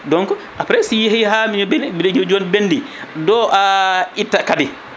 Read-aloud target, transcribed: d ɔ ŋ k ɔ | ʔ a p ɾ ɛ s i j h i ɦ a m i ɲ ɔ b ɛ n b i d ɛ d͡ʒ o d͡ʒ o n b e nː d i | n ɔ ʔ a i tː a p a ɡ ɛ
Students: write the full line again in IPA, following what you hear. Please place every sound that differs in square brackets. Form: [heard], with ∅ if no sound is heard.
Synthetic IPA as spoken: d ɔ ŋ k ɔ | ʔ a p ɾ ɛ s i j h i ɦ a m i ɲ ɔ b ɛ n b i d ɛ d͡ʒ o d͡ʒ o n b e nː d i | [d] ɔ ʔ a i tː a [k] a [d] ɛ

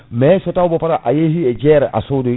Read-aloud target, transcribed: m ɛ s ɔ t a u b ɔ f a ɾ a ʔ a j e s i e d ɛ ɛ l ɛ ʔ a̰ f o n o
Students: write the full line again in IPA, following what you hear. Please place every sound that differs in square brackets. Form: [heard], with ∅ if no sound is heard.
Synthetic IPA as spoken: m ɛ s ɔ t a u b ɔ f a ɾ a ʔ a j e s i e [d͡ʒ] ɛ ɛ [ɾ] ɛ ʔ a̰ [s] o [d] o

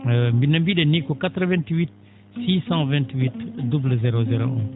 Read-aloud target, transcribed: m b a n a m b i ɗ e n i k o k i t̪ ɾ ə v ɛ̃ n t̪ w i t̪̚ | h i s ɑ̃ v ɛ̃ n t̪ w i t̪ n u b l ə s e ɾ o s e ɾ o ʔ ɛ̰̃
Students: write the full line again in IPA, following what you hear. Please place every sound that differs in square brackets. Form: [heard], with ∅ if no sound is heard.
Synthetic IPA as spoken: m b [i] n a m b i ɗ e n i k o k [a] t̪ ɾ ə v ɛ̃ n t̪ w i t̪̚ | [s] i s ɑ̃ v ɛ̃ n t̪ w i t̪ [d] u b l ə [z] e ɾ o [z] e ɾ o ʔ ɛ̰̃

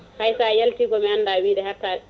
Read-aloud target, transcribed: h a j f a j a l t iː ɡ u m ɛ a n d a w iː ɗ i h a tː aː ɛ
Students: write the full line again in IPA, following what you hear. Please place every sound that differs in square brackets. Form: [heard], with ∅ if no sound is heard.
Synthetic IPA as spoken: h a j [s] a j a l t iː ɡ [ɔ] m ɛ a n d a w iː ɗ [ɛ] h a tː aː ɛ

